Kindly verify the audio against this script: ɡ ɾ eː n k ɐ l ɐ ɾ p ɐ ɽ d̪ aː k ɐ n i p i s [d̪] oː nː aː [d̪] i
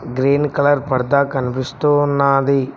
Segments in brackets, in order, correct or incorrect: incorrect: t̪, correct

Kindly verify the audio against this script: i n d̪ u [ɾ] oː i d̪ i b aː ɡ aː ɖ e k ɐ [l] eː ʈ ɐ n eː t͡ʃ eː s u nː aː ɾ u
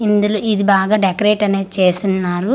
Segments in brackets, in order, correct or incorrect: incorrect: l, incorrect: ɾ

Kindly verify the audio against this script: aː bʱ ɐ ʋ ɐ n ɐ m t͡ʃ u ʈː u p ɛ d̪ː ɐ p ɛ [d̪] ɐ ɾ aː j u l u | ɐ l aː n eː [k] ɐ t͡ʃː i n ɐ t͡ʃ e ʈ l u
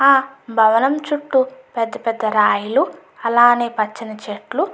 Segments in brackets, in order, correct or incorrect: incorrect: d̪ː, incorrect: p

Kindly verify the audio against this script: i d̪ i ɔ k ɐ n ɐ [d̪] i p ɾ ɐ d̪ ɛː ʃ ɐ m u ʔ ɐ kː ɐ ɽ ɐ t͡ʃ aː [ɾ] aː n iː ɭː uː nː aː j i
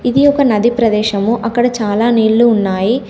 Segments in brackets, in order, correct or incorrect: correct, incorrect: l

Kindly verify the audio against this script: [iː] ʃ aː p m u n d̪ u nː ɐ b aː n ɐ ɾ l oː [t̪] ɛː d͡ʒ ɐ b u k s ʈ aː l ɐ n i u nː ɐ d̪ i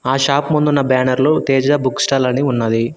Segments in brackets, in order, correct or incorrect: incorrect: aː, correct

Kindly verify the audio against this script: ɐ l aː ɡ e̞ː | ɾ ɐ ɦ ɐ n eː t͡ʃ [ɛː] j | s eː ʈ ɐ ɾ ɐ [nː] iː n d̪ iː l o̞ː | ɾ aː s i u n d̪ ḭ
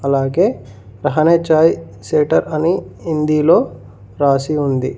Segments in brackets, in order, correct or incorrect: incorrect: aː, incorrect: n

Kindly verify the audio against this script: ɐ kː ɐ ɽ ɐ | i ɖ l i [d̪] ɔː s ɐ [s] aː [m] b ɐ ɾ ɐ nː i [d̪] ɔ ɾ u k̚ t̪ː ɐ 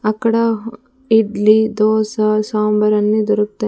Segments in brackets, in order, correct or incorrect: correct, correct, correct, correct

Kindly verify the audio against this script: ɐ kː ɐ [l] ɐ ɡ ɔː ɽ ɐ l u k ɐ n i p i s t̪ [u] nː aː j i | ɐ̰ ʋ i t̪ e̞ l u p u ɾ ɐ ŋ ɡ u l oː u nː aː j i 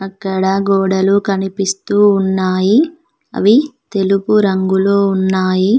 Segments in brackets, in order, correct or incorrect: incorrect: ɽ, incorrect: uː

